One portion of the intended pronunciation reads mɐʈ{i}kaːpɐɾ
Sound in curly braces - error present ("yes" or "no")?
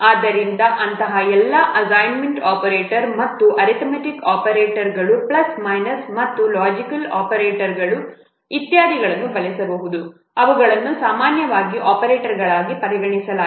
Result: no